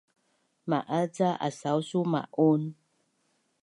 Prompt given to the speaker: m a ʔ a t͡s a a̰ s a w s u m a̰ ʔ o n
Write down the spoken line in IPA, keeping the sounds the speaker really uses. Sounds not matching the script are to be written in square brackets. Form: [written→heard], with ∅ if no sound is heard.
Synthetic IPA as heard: m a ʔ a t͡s a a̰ s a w s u m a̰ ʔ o n